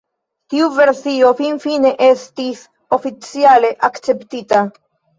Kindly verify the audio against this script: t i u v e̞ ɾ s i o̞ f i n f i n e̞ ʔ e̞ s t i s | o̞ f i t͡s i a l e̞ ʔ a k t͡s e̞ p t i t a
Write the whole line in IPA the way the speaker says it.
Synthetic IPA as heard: t i u v e̞ ɾ s i o̞ f i n f i n e̞ ʔ e̞ s t i s | o̞ f i t͡s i a l e̞ ʔ a k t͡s e̞ p t i t a

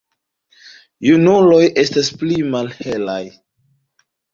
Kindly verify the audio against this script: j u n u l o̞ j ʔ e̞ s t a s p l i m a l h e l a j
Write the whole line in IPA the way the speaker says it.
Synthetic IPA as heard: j u n u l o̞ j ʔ e̞ s t a s p l i m a l h e l a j

